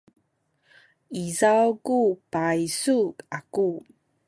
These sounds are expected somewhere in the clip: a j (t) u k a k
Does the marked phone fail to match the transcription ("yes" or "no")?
yes